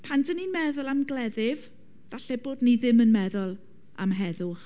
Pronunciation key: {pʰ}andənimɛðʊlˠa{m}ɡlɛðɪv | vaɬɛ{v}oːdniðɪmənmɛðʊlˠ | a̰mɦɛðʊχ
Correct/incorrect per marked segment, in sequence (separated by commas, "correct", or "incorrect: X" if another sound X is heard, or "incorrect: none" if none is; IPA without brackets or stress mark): correct, correct, incorrect: b